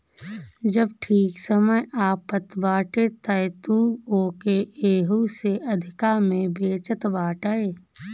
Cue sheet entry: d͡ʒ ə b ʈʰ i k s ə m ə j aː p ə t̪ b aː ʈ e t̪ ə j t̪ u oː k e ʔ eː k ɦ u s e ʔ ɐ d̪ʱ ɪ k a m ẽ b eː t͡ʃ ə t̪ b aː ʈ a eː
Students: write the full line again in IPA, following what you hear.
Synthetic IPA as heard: d͡ʒ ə b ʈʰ iː k s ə m ə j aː p ə t̪ b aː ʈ e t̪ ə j t̪ u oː k e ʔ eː ɦ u s e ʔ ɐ d̪ʱ ɪ k a m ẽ b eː t͡ʃ ə t̪ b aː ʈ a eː